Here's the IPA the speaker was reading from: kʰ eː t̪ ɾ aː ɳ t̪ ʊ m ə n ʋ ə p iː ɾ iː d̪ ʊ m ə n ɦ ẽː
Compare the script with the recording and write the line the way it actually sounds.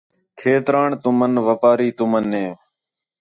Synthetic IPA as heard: kʰ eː t̪ ɾ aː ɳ t̪ ʊ m ə n ʋ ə p aː ɾ iː t̪ ʊ m ə n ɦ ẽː